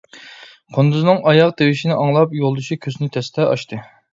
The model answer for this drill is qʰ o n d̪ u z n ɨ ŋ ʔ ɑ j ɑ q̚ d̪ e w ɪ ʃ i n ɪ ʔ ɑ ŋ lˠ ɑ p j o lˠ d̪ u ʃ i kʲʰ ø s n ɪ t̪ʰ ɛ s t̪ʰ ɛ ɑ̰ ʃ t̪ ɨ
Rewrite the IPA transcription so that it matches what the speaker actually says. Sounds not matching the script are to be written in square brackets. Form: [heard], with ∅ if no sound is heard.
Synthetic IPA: qʰ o n d̪ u z n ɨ ŋ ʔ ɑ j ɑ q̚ d̪ e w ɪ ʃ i n ɪ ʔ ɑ ŋ lˠ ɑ p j o lˠ d̪ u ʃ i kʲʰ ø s n ɪ t̪ʰ ɛ s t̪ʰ ɛ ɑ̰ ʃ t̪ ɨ